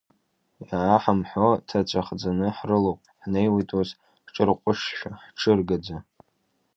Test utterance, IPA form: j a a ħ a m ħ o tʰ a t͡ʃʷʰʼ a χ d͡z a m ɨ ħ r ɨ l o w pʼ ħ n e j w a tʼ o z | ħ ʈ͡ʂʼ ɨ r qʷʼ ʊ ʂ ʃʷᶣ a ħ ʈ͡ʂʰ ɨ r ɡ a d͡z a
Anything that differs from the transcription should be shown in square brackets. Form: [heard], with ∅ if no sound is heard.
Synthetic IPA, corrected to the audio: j a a ħ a m ħ o tʰ a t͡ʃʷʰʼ a χ d͡z a [n] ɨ ħ r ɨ l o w pʼ ħ n e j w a tʼ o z | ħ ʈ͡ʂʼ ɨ r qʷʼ ʊ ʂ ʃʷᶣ a ħ ʈ͡ʂʰ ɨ r ɡ a d͡z a